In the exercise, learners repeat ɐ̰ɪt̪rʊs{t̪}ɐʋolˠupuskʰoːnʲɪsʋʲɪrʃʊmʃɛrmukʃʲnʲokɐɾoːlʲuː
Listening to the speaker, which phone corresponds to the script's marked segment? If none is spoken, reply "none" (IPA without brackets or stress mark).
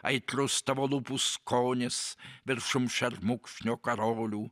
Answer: t̪